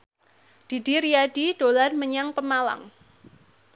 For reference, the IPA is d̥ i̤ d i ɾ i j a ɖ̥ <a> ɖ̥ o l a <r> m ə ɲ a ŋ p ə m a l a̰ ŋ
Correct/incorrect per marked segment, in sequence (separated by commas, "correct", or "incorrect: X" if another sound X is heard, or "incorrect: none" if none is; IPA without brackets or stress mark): incorrect: i, correct